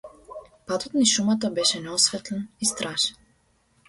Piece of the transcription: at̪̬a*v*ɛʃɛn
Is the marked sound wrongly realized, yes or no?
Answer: yes